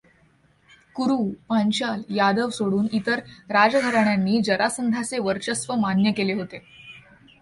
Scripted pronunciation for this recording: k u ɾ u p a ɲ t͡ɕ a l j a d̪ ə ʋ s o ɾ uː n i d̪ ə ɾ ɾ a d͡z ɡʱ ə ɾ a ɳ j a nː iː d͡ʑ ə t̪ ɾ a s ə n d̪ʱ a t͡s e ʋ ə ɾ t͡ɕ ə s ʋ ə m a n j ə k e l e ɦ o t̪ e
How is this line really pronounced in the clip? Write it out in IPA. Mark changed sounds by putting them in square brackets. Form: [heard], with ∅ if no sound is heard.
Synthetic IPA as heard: k u ɾ u p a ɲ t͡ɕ a l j a d̪ ə ʋ s o [ɽ] uː n i [t̪] ə ɾ ɾ a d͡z ɡʱ ə ɾ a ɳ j a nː iː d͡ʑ ə [∅] ɾ a s ə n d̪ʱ a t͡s e ʋ ə ɾ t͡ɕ ə s ʋ ə m a n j ə k e l e ɦ o t̪ e